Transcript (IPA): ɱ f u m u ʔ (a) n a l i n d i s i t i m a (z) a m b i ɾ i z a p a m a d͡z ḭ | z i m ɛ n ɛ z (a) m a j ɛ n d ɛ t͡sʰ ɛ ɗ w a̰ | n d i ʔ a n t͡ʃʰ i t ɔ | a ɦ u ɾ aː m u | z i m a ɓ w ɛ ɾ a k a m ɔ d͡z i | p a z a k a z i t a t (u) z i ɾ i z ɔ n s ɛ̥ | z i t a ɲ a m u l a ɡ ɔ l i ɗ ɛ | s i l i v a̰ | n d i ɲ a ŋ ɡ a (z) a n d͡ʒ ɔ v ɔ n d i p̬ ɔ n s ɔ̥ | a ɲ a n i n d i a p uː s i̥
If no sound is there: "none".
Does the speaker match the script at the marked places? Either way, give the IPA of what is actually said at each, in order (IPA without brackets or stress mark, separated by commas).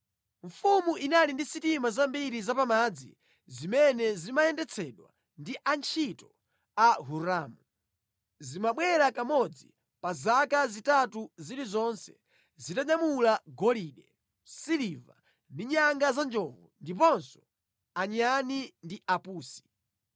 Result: i, z, i, u, z